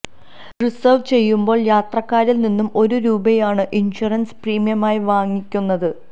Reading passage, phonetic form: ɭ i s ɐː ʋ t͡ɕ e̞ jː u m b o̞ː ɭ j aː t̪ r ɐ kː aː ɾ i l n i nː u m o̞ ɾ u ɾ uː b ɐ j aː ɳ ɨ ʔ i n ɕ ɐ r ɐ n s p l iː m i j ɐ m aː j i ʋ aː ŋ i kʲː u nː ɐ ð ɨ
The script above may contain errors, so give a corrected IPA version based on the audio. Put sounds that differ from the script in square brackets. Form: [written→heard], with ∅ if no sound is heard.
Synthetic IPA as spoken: [ɭ→r] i s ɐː ʋ t͡ɕ e̞ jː u m b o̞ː ɭ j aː t̪ r ɐ kː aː ɾ i l n i nː u m o̞ ɾ u ɾ uː b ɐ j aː ɳ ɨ ʔ i n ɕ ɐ r ɐ n s p [l→r] iː m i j ɐ m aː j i ʋ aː ŋ i kʲː u nː ɐ ð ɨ